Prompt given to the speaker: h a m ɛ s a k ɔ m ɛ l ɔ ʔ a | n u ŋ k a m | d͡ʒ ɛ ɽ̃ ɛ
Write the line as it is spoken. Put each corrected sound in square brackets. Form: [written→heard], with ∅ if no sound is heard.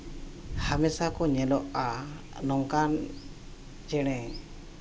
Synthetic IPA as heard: h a m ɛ s a k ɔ [m→ɲ] ɛ l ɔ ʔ a | n [u→ɔ] ŋ k a [m→n] | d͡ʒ ɛ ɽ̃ ɛ